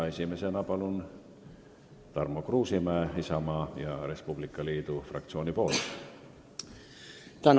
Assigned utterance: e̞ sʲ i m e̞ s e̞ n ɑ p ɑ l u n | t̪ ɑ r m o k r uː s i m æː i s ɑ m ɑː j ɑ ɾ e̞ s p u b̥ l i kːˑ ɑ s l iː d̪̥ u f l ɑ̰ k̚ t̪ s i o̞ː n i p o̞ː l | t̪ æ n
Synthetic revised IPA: e̞ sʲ i m e̞ s e̞ n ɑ p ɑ l u n | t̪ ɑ r m o k r uː s i m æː i s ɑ m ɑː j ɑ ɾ e̞ s p u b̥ l i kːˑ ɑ l iː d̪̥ u f r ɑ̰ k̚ t̪ s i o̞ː n i p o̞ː l | t̪ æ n

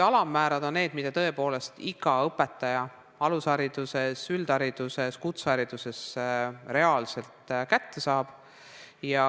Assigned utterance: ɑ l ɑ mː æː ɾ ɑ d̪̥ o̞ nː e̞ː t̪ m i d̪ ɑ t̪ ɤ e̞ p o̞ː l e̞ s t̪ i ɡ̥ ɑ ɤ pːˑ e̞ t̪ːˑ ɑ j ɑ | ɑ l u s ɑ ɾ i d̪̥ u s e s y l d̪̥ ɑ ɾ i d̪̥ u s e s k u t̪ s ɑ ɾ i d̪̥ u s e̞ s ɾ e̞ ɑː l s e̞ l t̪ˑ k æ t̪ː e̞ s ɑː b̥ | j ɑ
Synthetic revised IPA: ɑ l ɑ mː æː ɾ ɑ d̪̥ o̞ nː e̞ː d̪ m i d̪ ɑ t̪ ɤ e̞ p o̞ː l e̞ s t̪ i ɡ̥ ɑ ɤ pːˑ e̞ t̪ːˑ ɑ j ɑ | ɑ l u s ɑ ɾ i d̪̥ u s e s y l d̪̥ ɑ ɾ i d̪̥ u s e s k u t̪ s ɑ ɾ i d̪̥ u s e̞ s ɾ e̞ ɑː l s e̞ l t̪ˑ k æ t̪ː e̞ s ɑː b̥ | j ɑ

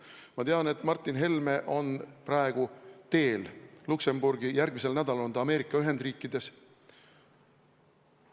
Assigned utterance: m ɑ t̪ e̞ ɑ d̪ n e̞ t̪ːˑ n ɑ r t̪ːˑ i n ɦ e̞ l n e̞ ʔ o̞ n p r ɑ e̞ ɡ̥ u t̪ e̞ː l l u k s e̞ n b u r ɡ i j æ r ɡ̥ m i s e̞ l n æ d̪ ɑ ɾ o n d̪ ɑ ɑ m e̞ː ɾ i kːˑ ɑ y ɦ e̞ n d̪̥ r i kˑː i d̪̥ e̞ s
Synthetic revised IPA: m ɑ t̪ e̞ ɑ n e̞ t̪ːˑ m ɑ r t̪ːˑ i n ɦ e̞ l m e̞ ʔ o̞ n p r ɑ e̞ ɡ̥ u t̪ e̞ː l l u k s e̞ m b u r ɡ i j æ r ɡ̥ m i s e̞ l n æ d̪ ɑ l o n d̪ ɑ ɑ m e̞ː ɾ i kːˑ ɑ y ɦ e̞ n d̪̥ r iː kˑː i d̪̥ e̞ s

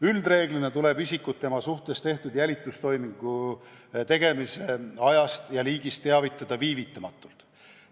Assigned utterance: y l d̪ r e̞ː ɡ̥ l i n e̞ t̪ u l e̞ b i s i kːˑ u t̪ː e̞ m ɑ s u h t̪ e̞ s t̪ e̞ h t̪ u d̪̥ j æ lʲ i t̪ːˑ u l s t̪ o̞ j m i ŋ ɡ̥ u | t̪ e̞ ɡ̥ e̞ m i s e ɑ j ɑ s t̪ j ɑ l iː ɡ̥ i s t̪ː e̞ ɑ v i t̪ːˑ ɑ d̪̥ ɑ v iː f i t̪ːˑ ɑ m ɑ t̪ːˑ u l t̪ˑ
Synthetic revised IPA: y l d̪ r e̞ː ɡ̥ l i n e̞ t̪ u l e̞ b i s i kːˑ u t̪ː e̞ m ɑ s u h t̪ e̞ s t̪ e̞ h t̪ u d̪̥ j æ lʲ i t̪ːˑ u s t̪ o̞ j m i ŋ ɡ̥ u | t̪ e̞ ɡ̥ e̞ m i s e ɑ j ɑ s t̪ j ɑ l iː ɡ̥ i s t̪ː e̞ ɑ v i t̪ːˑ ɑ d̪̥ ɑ v iː v i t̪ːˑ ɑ m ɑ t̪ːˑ u l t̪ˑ

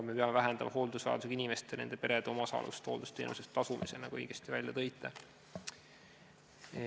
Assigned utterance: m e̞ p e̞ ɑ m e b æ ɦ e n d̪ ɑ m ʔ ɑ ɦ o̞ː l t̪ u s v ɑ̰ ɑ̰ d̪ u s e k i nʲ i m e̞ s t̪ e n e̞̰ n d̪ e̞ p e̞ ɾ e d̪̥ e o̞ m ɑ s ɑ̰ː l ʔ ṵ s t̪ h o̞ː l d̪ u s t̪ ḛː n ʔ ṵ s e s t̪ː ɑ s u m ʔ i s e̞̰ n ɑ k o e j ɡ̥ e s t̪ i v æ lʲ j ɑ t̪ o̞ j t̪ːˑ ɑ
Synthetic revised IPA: m e̞ p e̞ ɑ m e v æ ɦ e n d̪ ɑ m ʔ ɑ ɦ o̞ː l d̪ u s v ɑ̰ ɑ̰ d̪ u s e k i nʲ i m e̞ s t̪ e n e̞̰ n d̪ e̞ p e̞ ɾ e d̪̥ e o̞ m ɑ s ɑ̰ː l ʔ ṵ s t̪ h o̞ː l d̪ u s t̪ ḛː n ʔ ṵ s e s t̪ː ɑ s u m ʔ i s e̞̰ n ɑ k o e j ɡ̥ e s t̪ i v æ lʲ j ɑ t̪ ɤ̞ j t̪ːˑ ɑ

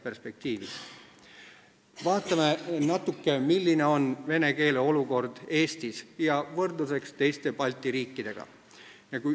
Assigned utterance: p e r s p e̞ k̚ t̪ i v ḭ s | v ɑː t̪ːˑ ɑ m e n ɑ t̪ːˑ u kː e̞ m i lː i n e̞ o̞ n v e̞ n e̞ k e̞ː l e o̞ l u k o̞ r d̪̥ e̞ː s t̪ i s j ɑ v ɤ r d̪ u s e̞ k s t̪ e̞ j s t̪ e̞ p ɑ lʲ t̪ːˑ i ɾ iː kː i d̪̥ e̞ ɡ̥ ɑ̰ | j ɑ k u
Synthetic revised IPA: p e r s p e̞ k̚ t̪ iː v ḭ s | v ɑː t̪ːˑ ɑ m e n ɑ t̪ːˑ u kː e̞ m i lː i n e̞ o̞ n v e̞ n e̞ k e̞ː l e o̞ l u k o̞ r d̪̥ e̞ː s t̪ i s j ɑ v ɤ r d̪ u s e̞ k s t̪ e̞ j s t̪ e̞ p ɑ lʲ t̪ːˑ i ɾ iː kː i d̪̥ e̞ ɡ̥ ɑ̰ | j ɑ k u

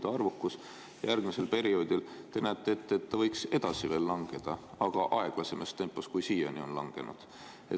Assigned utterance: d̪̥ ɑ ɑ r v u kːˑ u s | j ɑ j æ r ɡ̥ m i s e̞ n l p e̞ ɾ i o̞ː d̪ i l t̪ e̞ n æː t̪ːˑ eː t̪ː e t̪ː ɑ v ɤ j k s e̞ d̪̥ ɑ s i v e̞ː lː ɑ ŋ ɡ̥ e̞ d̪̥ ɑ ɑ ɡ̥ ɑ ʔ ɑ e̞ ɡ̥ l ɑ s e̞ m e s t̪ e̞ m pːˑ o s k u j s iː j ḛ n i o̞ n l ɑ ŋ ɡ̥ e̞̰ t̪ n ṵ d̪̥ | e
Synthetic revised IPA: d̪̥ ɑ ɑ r v u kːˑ u s | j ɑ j æ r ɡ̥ m i s e̞ l p e̞ ɾ i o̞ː d̪ i l t̪ e̞ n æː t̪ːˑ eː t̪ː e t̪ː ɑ v ɤ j k s e̞ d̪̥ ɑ s i v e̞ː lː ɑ ŋ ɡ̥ e̞ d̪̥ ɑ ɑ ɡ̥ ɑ ʔ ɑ e̞ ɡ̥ l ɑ s e̞ m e s t̪ e̞ m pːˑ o s k u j s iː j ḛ n i o̞ n l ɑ ŋ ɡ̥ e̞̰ n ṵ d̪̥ | e

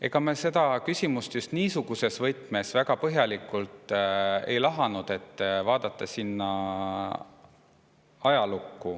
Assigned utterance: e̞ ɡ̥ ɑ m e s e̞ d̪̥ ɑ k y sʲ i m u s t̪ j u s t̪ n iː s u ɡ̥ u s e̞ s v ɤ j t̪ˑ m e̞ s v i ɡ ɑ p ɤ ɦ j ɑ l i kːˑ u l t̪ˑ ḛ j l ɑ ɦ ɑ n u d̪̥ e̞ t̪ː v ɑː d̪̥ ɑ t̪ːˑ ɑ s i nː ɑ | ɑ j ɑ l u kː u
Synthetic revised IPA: e̞ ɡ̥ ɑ m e s e̞ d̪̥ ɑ k y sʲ i m u s t̪ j u s t̪ n iː s u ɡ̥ u s e̞ s v ɤ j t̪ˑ m e̞ s v æ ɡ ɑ p ɤ ɦ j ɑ l i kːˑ u l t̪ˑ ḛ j l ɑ ɦ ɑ n u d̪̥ e̞ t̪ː v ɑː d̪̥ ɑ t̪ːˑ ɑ s i nː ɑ | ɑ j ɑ l u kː u

